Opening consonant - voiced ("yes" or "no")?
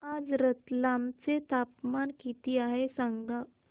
yes